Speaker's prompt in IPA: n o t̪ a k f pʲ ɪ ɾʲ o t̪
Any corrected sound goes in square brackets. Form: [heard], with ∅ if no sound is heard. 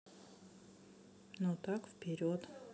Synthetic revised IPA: n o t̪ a k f pʲ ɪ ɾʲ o t̪